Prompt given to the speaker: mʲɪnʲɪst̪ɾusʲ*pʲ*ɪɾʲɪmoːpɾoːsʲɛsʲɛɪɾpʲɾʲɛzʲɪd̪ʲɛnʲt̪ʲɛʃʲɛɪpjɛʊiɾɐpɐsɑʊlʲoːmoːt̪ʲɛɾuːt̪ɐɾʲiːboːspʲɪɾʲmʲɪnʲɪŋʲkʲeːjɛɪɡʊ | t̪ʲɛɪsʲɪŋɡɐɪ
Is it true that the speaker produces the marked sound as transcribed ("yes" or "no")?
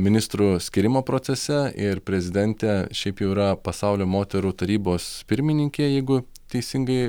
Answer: no